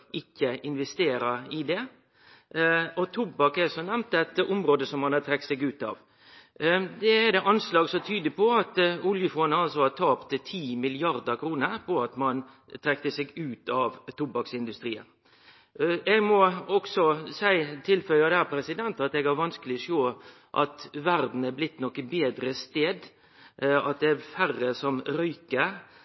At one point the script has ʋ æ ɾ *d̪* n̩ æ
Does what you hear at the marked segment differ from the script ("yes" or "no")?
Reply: no